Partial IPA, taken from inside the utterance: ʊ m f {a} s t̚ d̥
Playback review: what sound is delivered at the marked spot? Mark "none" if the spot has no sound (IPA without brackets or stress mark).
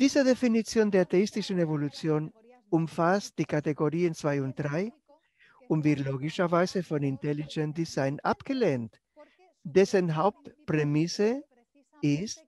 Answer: a